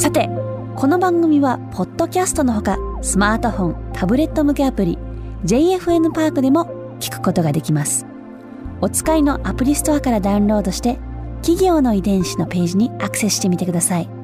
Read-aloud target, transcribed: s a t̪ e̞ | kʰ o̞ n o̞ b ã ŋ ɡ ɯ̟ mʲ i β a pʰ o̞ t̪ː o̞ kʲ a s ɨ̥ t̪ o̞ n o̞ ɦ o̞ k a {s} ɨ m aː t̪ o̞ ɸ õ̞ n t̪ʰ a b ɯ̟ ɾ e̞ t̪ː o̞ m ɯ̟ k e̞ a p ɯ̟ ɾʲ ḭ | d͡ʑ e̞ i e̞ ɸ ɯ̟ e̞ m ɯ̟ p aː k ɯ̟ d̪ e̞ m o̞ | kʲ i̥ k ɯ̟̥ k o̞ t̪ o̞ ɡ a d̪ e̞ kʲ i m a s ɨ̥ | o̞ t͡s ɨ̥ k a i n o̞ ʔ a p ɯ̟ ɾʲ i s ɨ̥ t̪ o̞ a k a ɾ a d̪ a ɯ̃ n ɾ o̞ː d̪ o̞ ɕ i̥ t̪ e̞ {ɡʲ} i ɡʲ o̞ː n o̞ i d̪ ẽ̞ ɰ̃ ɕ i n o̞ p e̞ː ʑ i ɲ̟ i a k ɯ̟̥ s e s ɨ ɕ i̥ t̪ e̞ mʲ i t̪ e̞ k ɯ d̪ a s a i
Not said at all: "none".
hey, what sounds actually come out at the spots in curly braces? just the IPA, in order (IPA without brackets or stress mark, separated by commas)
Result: s, kʲ